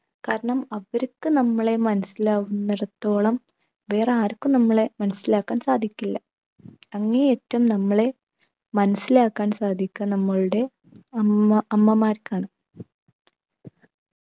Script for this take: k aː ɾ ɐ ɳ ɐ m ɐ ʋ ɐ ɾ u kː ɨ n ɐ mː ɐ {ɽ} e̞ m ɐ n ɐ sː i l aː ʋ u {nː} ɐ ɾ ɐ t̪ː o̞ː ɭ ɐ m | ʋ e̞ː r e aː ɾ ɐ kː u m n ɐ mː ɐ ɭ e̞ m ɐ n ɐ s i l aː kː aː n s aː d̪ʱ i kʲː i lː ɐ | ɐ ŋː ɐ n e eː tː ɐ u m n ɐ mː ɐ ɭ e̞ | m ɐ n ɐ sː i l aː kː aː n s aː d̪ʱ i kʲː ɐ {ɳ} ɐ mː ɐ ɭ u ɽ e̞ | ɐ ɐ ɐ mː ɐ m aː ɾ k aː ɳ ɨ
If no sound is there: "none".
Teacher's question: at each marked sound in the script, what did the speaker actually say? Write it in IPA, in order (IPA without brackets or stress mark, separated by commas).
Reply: ɭ, nː, n